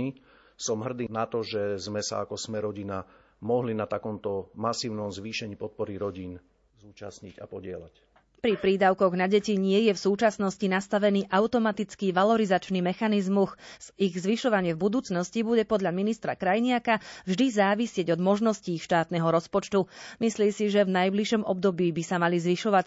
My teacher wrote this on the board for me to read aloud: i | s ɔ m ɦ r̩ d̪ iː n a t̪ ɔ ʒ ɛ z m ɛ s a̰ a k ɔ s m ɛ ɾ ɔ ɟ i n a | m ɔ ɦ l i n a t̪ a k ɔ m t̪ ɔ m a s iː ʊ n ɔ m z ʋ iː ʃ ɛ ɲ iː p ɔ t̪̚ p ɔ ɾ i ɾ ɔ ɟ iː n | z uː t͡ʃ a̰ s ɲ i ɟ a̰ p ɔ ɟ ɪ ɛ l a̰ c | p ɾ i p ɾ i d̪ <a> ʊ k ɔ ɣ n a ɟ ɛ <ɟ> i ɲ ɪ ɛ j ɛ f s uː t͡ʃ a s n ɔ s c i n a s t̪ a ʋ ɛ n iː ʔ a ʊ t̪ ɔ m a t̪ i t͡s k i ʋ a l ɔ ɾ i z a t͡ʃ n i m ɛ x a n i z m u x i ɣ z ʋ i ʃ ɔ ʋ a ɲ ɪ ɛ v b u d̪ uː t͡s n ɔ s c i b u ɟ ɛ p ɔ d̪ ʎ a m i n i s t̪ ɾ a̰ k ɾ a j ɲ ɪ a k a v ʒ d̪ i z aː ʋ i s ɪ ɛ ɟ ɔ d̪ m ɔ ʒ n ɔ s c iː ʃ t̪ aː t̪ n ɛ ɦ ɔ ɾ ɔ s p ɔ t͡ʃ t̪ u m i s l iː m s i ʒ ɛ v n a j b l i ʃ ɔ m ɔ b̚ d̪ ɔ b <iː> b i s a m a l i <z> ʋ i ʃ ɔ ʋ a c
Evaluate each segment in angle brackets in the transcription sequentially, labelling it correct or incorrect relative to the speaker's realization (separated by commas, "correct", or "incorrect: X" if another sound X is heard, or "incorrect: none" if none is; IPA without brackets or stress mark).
correct, incorrect: c, correct, correct